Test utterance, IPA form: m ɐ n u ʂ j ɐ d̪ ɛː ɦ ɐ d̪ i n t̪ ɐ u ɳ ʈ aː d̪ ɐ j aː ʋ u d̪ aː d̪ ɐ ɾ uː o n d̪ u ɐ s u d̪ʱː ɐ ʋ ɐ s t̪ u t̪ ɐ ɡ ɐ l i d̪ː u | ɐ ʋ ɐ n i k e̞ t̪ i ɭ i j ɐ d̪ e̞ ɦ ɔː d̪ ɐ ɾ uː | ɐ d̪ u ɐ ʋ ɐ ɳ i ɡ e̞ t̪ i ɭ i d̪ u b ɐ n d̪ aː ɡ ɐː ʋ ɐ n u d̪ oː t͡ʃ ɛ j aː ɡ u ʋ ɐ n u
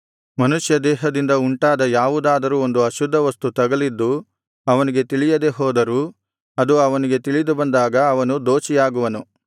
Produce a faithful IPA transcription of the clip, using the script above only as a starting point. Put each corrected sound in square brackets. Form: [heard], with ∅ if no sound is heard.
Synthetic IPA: m ɐ n u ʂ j ɐ d̪ ɛː ɦ ɐ d̪ i n [d̪] ɐ u ɳ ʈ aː d̪ ɐ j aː ʋ u d̪ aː d̪ ɐ ɾ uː o n d̪ u ɐ [ʃ] u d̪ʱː ɐ ʋ ɐ s t̪ u t̪ ɐ ɡ ɐ l i d̪ː u | ɐ ʋ ɐ n i [ɡ] e̞ t̪ i ɭ i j ɐ d̪ e̞ ɦ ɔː d̪ ɐ ɾ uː | ɐ d̪ u ɐ ʋ ɐ [n] i ɡ e̞ t̪ i ɭ i d̪ u b ɐ n d̪ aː ɡ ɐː ʋ ɐ n u d̪ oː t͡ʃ [i] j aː ɡ u ʋ ɐ n u